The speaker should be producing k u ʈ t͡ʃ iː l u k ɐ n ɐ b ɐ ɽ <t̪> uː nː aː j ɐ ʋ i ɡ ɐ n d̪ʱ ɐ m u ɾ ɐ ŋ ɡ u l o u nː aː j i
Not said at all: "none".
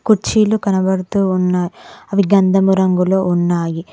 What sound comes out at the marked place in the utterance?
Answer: t̪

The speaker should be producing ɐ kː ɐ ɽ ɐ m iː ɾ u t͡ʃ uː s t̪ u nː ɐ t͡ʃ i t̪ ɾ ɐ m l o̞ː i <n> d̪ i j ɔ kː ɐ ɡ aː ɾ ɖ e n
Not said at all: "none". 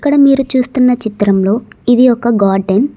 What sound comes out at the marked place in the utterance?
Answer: none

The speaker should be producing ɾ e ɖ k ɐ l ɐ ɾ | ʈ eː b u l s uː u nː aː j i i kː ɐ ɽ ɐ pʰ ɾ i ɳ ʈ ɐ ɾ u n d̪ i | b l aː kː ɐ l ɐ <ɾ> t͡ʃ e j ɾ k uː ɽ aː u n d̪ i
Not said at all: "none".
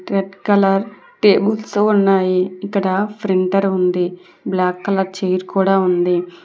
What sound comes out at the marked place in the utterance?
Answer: ɾ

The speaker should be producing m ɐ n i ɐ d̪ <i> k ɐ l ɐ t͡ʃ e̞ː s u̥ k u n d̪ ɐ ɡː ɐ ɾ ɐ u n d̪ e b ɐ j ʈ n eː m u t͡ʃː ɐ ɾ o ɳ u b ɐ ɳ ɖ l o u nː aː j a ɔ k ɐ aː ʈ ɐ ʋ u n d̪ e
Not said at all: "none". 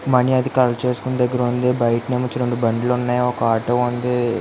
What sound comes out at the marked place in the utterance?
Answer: i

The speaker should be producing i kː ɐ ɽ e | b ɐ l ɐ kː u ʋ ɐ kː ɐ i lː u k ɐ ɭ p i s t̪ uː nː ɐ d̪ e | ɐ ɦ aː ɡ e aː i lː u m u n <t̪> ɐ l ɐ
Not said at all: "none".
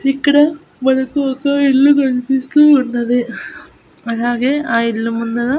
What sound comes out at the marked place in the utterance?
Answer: d̪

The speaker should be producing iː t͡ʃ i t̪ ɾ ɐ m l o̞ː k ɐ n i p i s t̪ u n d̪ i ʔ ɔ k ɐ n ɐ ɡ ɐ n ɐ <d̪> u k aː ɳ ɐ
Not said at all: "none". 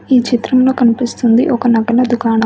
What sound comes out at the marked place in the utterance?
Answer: d̪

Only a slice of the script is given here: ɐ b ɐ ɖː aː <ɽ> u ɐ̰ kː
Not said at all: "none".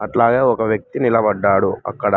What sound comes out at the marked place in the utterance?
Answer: ɽ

